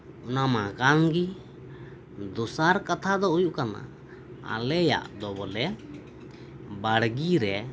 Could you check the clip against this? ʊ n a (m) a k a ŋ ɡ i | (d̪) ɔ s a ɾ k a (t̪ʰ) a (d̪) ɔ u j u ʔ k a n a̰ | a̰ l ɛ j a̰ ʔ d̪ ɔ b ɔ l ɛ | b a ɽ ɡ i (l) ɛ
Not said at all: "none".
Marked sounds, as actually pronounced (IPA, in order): m, d̪, t̪ʰ, d̪, ɾ

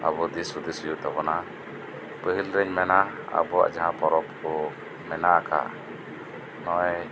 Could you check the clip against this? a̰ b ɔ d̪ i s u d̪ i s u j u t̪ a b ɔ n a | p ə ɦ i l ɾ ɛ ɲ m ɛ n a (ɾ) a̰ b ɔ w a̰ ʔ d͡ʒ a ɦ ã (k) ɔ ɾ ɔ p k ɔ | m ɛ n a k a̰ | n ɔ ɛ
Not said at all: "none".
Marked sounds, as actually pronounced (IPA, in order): none, p

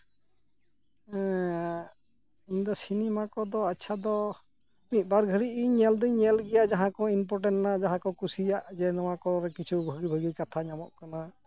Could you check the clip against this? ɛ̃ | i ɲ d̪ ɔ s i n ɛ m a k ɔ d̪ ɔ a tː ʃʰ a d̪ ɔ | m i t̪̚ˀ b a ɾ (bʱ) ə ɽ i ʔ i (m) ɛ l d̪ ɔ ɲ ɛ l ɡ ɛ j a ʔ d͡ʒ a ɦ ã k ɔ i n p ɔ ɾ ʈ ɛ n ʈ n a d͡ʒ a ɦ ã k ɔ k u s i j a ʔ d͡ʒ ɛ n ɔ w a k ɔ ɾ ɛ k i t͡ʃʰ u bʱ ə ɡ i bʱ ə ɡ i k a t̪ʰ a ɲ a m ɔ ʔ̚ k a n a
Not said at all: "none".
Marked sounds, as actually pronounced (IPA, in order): ɡʱ, ɲ

